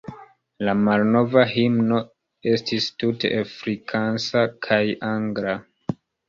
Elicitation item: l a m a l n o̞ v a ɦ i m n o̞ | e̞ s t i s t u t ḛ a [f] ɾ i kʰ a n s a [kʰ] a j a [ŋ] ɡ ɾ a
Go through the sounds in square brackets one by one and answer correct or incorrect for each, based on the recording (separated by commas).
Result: correct, correct, correct